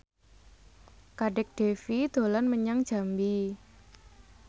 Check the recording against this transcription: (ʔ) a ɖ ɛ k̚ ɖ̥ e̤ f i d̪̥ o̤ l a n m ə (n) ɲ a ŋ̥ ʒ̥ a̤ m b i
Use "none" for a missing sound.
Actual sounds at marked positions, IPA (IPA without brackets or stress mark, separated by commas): k, none